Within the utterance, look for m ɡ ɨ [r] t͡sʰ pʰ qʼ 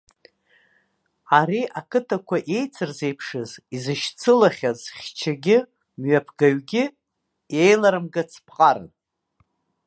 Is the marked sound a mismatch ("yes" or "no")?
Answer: yes